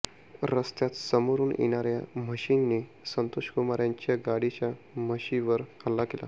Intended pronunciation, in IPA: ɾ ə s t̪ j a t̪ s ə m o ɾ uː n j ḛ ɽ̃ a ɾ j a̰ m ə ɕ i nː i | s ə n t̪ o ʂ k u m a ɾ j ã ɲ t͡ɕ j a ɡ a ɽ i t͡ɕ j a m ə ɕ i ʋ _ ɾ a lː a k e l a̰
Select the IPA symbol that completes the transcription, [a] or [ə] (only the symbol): ə